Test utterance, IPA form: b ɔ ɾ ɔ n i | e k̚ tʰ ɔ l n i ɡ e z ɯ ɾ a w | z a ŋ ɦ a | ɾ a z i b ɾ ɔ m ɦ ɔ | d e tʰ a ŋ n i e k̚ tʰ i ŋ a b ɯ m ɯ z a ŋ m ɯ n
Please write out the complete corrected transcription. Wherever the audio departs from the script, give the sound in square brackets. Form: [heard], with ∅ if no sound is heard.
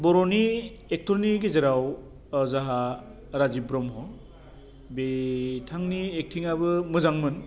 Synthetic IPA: b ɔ ɾ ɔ n i | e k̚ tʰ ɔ [ɾ] n i ɡ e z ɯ ɾ a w | z a [∅] ɦ a | ɾ a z i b ɾ ɔ m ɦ ɔ | [b] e tʰ a ŋ n i e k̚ tʰ i ŋ a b ɯ m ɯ z a ŋ m ɯ n